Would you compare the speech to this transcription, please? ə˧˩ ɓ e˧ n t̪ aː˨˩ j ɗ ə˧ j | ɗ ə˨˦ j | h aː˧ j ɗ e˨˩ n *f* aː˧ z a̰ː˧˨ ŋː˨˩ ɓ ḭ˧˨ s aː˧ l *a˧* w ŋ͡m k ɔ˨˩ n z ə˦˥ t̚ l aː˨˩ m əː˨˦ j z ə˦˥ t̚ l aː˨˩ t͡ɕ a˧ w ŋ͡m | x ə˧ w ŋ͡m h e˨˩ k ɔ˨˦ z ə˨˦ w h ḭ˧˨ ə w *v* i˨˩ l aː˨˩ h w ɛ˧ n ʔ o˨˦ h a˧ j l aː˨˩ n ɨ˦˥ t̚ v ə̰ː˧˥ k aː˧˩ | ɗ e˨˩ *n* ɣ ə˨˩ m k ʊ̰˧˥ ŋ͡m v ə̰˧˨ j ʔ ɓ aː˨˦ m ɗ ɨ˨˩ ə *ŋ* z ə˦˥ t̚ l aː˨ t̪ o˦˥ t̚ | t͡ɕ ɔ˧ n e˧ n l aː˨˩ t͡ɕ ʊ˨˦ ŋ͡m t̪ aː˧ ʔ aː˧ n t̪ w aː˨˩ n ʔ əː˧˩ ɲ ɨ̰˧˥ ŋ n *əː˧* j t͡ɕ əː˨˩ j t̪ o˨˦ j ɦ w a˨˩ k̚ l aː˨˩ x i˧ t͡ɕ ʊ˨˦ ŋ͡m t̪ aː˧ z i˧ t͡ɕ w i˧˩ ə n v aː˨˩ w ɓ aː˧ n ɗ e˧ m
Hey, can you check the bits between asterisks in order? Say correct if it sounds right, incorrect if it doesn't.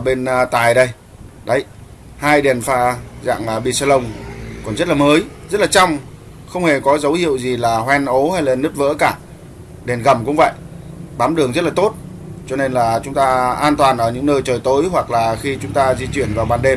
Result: correct, incorrect: ə˧, incorrect: z, correct, correct, correct

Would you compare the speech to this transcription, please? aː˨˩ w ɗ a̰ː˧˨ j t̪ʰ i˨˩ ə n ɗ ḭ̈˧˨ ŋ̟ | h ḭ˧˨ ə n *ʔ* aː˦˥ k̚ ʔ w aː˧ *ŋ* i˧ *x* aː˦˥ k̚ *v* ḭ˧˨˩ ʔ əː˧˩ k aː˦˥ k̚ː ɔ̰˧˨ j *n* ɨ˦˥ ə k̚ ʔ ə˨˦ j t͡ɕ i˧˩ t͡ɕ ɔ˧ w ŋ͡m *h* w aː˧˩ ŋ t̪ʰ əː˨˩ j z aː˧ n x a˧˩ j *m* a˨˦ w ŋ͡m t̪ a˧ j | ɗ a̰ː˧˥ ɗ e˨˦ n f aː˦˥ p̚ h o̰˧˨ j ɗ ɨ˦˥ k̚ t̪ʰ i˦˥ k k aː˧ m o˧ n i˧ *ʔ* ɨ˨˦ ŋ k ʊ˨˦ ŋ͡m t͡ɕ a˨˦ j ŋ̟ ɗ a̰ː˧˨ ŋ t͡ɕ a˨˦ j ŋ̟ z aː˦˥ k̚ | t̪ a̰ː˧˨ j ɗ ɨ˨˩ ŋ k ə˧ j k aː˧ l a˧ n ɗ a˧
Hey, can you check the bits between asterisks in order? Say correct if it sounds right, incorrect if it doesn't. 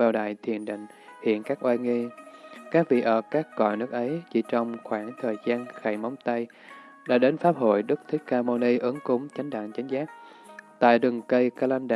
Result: incorrect: k, correct, incorrect: k, correct, correct, incorrect: x, correct, correct

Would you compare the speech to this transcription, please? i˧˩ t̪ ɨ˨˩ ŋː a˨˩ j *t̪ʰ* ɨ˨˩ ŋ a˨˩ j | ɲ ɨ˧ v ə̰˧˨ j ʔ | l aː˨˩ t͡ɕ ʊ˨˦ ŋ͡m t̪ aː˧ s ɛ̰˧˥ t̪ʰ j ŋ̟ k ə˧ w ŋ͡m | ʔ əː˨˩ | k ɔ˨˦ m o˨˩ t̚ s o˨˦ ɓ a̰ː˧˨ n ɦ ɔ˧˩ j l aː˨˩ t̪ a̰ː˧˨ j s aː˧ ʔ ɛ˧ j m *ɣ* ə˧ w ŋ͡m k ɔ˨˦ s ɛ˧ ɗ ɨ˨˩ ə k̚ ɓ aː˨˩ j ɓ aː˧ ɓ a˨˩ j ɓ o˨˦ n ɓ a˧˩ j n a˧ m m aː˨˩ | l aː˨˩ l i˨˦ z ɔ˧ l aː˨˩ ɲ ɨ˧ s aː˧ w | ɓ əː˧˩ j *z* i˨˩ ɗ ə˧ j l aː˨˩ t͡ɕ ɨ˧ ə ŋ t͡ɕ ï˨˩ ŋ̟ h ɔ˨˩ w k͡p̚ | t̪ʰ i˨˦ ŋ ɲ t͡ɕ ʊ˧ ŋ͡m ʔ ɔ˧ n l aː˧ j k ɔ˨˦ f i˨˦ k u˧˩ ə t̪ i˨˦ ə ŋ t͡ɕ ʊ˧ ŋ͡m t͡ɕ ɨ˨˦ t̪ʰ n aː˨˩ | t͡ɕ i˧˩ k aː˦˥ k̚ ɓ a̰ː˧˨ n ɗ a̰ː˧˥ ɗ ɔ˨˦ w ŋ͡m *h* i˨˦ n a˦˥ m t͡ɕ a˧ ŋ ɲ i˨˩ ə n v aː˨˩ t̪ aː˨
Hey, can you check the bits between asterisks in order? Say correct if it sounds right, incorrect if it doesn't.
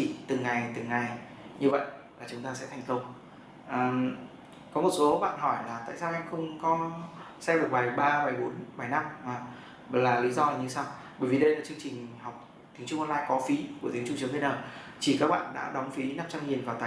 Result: incorrect: t̪, incorrect: x, incorrect: v, incorrect: f

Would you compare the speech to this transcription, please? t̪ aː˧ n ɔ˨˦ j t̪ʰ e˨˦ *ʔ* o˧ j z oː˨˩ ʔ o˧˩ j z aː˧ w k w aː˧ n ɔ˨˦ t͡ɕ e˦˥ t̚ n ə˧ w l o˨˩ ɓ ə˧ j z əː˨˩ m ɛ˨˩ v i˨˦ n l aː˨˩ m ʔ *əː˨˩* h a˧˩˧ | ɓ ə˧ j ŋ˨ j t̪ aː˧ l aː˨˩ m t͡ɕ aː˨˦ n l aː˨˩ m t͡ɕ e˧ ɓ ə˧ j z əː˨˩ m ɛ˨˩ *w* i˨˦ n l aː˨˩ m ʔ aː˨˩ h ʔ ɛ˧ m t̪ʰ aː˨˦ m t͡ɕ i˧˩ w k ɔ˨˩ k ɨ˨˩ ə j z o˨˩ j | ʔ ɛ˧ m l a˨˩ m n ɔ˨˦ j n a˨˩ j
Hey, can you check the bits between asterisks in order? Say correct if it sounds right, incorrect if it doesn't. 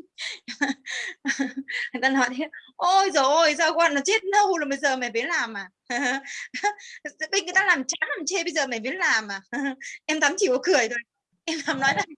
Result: correct, incorrect: aː˨˩, incorrect: v

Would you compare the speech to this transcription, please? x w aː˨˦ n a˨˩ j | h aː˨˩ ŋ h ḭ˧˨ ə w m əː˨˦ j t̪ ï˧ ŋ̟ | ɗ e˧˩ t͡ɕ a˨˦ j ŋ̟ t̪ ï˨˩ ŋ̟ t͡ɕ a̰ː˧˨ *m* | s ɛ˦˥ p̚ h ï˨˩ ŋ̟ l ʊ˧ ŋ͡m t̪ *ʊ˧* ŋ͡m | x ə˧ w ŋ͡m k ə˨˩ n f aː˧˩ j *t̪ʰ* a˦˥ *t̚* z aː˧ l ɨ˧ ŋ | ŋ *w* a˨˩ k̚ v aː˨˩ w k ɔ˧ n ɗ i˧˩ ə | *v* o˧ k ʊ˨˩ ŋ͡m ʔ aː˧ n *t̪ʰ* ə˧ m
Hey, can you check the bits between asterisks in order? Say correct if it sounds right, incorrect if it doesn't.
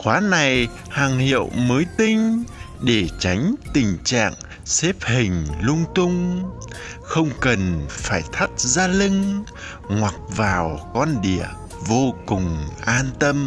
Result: incorrect: ŋ, correct, correct, correct, correct, correct, incorrect: t̪

